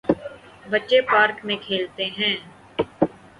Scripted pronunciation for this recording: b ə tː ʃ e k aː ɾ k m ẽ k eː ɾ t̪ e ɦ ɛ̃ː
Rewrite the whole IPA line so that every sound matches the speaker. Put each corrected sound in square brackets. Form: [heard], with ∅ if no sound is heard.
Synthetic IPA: b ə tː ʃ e [p] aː ɾ k m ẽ [kʰ] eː [l] t̪ e ɦ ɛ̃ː